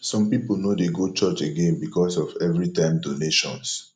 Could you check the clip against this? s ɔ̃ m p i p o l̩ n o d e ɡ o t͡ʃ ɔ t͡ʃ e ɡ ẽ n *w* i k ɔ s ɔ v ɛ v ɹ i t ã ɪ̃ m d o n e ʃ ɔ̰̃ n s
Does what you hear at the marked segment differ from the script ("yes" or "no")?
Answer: yes